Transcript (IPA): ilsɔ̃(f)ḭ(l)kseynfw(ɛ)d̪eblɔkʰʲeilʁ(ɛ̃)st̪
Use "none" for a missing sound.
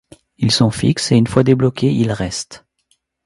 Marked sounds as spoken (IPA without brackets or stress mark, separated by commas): f, none, a, ɛ